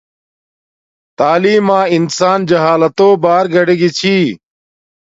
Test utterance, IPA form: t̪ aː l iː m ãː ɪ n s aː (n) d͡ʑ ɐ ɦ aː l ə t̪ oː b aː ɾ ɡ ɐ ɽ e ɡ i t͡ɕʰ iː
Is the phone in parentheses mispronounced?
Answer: no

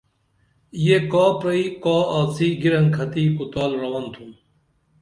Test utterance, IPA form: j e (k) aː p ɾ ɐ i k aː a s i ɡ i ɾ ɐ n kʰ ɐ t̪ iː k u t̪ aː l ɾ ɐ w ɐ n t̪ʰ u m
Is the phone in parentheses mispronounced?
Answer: no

